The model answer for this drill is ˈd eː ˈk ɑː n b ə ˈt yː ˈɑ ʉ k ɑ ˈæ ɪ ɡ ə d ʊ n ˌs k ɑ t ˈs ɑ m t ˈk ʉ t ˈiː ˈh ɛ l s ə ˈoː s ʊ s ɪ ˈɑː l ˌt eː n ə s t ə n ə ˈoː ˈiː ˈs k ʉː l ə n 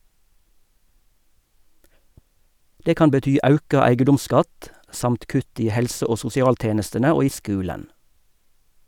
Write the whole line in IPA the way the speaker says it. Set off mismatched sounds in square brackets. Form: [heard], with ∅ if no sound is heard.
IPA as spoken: ˈd eː ˈk ɑː n b ə ˈt yː ˈɑ ʉ k ɑ ˈæ ɪ ɡ ə d ʊ [m] ˌs k ɑ t ˈs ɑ m t ˈk ʉ t ˈiː ˈh ɛ l s ə ˈoː s ʊ s ɪ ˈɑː l ˌt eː n ə s t ə n ə ˈoː ˈiː ˈs k ʉː l ə n